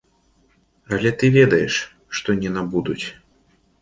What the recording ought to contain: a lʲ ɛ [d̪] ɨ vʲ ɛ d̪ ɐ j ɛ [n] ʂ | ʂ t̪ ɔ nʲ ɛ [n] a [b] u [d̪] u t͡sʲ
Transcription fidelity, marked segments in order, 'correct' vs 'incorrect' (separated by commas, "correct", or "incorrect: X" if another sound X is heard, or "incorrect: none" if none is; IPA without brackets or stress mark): incorrect: t̪, incorrect: none, correct, correct, correct